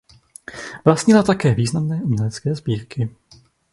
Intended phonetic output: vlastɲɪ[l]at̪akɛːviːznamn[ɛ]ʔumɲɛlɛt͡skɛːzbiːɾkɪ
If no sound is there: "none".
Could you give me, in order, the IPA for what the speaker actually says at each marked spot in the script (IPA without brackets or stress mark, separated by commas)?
l, ɛː